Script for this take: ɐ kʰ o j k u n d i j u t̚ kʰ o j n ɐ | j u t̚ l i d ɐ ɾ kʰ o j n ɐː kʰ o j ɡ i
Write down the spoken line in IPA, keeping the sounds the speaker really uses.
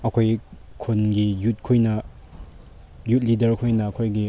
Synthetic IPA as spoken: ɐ kʰ o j kʰ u n ɡ i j u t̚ kʰ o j n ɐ | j u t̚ l i d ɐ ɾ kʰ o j n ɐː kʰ o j ɡ i